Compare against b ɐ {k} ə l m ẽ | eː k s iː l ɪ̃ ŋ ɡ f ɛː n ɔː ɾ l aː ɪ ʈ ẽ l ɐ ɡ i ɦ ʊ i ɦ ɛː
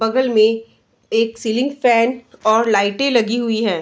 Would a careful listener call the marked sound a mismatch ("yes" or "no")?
yes